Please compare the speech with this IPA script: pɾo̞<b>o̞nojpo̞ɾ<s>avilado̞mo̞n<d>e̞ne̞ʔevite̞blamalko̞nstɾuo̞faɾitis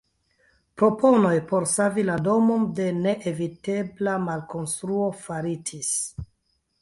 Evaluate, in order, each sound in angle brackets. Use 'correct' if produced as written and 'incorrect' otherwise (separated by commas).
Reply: incorrect, correct, correct